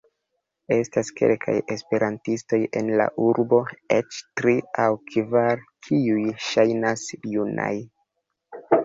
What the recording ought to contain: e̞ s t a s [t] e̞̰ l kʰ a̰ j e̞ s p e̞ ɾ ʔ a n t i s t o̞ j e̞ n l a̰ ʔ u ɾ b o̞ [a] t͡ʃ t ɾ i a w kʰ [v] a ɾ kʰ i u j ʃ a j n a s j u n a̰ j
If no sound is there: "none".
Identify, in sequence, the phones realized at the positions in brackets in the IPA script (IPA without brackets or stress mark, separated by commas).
k, e, v